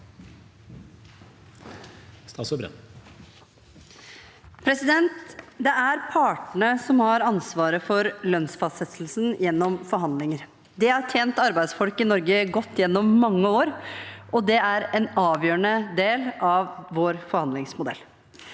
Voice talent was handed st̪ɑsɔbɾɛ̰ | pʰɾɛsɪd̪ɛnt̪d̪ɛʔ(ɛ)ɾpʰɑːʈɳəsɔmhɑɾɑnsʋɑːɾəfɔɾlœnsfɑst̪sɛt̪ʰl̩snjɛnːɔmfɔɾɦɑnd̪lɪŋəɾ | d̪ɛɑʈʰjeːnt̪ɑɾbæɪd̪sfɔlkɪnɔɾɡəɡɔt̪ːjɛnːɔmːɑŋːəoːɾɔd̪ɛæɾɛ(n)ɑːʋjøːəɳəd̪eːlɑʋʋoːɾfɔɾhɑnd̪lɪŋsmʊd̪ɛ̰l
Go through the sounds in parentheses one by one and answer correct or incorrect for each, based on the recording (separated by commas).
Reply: incorrect, correct